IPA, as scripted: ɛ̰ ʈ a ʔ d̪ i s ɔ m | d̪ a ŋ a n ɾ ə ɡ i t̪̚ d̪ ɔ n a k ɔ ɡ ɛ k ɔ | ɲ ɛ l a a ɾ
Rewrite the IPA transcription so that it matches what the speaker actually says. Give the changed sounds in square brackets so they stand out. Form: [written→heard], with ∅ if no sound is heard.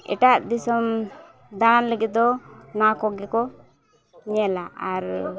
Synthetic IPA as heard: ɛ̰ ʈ a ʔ d̪ i s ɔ m | d̪ a [ŋ→n] a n [ɾ→l] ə ɡ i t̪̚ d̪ ɔ n a k ɔ ɡ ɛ k ɔ | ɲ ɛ l a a ɾ

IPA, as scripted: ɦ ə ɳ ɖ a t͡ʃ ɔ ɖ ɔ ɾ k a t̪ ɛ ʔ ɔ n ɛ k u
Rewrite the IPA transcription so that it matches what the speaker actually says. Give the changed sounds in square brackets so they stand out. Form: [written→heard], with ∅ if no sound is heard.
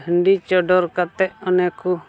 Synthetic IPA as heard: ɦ ə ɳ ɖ [a→i] t͡ʃ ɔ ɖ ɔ ɾ k a t̪ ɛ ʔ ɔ n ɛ k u

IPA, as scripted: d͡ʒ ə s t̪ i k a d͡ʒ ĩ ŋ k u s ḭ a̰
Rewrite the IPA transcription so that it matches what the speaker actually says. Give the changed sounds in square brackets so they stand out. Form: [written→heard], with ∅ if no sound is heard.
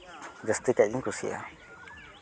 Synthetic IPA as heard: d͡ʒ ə s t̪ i k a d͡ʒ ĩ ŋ k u s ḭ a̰

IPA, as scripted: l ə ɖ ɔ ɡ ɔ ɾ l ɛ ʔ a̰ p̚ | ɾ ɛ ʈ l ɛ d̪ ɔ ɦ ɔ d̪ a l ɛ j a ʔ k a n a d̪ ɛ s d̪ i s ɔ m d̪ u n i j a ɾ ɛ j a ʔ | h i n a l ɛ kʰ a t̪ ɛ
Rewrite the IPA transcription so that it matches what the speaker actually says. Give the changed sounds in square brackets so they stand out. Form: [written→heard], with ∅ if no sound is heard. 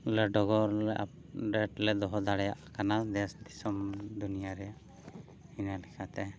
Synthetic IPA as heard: l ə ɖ ɔ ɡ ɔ ɾ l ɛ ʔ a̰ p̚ | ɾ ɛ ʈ l ɛ d̪ ɔ ɦ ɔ d̪ a [l→ɽ] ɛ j a ʔ k a n a d̪ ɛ s d̪ i s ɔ m d̪ u n i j a ɾ ɛ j a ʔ | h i n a l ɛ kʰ a t̪ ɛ

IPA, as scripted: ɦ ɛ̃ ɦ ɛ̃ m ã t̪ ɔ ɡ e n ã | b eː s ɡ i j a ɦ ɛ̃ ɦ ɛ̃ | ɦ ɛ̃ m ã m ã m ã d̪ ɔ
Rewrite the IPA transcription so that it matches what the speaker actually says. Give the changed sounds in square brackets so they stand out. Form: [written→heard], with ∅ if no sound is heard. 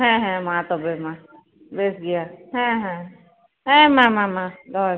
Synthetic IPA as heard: ɦ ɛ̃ ɦ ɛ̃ m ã t̪ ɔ [ɡ→b] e [n→m] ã | b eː s ɡ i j a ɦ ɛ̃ ɦ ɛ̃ | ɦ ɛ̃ m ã m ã m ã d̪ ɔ

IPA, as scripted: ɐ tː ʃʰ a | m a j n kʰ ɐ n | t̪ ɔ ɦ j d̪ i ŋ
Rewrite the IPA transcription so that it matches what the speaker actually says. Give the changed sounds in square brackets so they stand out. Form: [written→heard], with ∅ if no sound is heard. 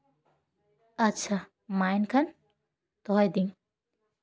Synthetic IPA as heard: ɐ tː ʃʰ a | m a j n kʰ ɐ n | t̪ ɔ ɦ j d̪ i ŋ

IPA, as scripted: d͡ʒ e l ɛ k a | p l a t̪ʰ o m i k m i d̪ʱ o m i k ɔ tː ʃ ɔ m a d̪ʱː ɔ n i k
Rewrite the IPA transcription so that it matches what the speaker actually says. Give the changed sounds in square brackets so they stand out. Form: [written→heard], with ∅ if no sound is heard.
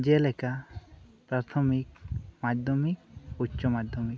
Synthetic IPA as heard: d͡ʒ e l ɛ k a | p [l→ɾ] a t̪ʰ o m i k m [i→a] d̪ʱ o m i k [ɔ→u] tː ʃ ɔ m a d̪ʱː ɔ [n→m] i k

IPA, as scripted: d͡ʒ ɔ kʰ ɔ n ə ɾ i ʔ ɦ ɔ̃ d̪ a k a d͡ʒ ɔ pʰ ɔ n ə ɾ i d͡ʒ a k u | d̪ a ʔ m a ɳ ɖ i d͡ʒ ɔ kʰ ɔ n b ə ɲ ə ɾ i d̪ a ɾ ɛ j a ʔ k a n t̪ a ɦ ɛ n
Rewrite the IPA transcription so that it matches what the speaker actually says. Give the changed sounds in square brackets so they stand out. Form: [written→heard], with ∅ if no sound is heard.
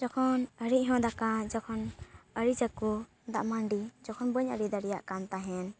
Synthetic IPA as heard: d͡ʒ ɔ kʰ ɔ n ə ɾ i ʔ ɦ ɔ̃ d̪ a k a d͡ʒ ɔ [pʰ→kʰ] ɔ n ə ɾ i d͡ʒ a k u | d̪ a ʔ m a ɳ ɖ i d͡ʒ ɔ kʰ ɔ n b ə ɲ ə ɾ i d̪ a ɾ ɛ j a ʔ k a n t̪ a ɦ ɛ n

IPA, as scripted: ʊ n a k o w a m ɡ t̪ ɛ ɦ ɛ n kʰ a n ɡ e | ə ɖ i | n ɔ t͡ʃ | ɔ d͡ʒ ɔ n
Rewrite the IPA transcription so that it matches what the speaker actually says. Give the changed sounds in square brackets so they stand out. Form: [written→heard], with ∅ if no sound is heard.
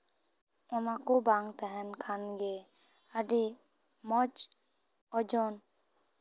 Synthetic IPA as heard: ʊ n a k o [w→b] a [m→ŋ] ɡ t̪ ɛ ɦ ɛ n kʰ a n ɡ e | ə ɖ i | [n→m] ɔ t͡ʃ | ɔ d͡ʒ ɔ n

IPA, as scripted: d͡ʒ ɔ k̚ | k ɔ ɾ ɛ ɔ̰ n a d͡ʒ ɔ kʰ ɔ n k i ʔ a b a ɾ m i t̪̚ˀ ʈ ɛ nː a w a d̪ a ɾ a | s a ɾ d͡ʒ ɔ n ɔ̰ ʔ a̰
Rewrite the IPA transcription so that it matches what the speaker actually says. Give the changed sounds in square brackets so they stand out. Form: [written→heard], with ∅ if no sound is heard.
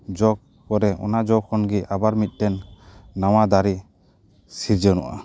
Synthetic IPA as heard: d͡ʒ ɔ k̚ | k ɔ ɾ ɛ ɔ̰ n a d͡ʒ ɔ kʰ ɔ n [k→ɡ] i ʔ a b a ɾ m i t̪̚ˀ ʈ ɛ nː a w a d̪ a ɾ [a→i] | s [a→i] ɾ d͡ʒ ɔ n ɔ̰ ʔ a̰

